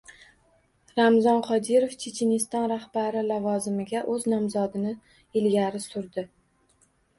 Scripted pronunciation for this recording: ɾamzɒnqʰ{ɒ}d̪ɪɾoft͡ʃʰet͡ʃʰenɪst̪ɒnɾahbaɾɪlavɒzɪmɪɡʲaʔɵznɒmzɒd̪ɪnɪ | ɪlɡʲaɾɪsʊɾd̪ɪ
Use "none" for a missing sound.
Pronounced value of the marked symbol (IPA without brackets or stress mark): ɒ